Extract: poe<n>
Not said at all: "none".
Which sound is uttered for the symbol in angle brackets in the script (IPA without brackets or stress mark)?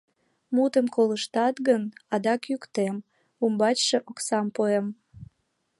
m